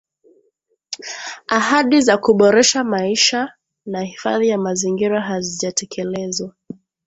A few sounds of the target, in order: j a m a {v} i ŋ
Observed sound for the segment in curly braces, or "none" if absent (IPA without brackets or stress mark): z